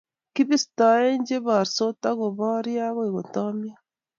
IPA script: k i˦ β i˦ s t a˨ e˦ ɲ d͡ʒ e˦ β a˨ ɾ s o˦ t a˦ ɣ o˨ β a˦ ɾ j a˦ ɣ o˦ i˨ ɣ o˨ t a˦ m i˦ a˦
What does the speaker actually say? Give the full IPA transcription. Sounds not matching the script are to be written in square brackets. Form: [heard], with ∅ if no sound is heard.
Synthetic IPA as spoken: k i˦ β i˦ s t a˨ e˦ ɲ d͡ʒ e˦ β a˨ ɾ s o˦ t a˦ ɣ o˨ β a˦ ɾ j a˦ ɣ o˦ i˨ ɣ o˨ t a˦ m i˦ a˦

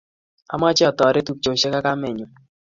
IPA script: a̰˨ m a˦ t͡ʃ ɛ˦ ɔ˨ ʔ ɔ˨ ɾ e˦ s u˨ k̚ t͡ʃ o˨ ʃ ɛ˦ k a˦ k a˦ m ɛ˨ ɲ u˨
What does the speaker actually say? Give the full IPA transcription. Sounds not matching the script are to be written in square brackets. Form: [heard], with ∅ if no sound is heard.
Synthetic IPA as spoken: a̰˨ m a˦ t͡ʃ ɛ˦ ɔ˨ [t] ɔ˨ ɾ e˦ [t] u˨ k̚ t͡ʃ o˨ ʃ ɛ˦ k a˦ k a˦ m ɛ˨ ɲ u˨

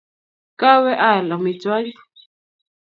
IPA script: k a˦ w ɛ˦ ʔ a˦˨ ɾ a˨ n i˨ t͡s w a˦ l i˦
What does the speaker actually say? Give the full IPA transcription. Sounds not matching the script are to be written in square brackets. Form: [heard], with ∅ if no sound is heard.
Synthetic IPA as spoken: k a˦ w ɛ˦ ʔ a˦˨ [l] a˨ [m] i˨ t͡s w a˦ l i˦

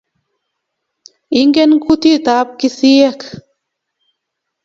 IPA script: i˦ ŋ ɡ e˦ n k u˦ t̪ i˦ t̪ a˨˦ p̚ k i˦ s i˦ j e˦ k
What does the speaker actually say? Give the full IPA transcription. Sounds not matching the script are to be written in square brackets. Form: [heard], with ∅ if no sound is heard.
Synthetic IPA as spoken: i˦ ŋ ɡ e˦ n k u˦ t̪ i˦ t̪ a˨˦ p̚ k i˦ s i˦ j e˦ k

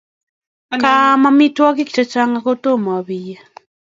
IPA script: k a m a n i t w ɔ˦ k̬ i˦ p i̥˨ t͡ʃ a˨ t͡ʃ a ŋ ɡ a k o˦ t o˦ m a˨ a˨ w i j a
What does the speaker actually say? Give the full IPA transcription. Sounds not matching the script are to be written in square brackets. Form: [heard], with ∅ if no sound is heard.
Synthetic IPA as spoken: k a m a [m] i t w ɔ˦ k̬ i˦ [k] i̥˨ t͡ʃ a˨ t͡ʃ a ŋ ɡ a k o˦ t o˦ m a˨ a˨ [β] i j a

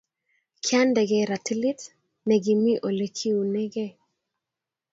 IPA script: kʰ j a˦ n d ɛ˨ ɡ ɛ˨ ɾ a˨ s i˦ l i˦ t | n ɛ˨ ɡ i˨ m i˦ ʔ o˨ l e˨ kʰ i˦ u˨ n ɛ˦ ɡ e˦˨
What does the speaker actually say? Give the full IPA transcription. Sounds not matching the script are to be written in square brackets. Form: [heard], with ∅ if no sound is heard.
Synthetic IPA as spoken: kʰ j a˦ n d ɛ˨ ɡ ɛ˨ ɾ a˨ [t] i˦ l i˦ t | n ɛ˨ ɡ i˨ m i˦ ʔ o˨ l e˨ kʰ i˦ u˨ n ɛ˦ ɡ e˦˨

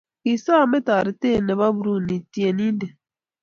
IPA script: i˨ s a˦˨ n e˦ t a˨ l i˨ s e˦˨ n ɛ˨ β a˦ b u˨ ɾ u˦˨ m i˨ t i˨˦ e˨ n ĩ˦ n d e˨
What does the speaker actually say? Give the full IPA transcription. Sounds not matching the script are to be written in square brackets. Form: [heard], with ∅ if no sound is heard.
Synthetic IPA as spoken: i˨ s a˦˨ [m] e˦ t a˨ [ɾ] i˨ [t] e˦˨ n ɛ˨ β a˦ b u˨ ɾ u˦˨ [n] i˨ t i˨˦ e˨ n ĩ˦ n d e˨

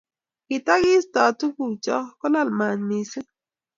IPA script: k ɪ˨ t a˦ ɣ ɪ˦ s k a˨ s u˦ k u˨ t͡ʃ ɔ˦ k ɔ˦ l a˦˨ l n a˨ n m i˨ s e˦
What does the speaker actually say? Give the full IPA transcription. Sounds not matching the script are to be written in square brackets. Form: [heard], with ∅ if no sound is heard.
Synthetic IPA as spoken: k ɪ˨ t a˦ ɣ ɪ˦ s [t] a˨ [t] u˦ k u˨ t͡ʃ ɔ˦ k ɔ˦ l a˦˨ l [m] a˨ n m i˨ s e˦

